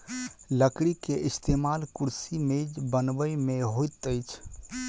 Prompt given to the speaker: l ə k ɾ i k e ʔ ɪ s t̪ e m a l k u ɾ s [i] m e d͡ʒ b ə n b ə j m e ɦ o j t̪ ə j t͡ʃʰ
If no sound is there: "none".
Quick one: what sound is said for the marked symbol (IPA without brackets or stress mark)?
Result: i